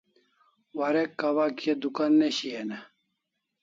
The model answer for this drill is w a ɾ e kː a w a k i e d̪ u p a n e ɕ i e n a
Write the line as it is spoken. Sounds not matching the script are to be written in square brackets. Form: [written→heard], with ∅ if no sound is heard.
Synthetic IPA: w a ɾ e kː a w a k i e d̪ u [p→k] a [n→nː] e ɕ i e n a